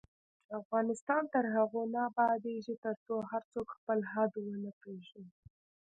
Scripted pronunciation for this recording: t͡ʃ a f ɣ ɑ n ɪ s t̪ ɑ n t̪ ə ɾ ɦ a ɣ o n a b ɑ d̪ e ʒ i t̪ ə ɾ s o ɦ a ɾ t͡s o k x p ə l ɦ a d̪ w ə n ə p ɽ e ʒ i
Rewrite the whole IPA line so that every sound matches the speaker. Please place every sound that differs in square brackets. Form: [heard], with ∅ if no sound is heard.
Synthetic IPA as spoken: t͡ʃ a f ɣ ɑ n ɪ s t̪ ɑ n t̪ ə ɾ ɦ a ɣ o n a b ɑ d̪ e ʒ i t̪ ə ɾ [t͡s] o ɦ a ɾ t͡s o k x p ə l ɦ a d̪ w ə n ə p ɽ e ʒ i